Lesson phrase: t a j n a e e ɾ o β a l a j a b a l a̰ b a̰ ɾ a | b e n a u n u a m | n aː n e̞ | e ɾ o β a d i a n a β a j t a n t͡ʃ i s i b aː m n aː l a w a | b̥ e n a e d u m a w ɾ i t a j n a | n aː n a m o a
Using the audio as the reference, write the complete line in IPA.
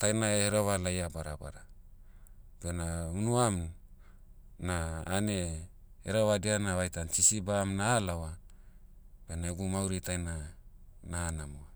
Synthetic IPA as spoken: t a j n a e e ɾ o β a l a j a b a ɾ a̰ b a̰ ɾ a | b e n a u n u a m | n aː n e̞ | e ɾ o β a d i a n a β a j t a n t͡ʃ i s i b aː m n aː l a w a | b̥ e n a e ɡ u m a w ɾ i t a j n a | n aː n a m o a